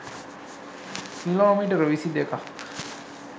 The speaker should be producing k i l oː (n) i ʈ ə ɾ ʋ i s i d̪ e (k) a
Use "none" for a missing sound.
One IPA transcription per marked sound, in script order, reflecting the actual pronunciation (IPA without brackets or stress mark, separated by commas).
m, k